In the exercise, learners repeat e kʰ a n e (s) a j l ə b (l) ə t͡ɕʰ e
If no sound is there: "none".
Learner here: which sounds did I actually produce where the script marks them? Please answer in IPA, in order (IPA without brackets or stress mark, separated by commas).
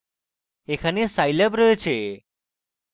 s, ɾ